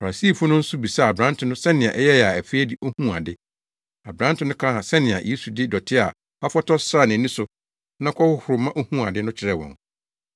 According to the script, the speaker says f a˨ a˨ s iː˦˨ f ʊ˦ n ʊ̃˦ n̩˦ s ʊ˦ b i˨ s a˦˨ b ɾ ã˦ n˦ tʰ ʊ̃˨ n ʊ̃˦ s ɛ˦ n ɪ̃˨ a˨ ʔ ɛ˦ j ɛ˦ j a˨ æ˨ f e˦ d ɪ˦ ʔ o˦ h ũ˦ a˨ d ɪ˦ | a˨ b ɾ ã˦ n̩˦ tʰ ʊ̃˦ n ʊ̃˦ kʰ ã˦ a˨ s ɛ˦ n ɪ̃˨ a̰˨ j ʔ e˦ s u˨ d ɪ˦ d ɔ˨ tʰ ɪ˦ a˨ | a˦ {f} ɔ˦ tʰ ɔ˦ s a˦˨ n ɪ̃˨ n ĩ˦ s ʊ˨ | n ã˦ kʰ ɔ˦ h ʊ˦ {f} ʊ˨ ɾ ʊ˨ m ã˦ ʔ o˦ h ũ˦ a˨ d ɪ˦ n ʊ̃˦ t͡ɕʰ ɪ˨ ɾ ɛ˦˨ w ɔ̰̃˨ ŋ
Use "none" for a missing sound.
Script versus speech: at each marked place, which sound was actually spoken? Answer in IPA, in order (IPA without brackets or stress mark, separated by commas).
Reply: f, h